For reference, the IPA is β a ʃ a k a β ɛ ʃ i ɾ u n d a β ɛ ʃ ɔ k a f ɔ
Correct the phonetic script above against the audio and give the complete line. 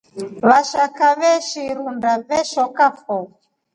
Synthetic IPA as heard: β a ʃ a k a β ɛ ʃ i ɾ u n d a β ɛ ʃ ɔ k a f ɔ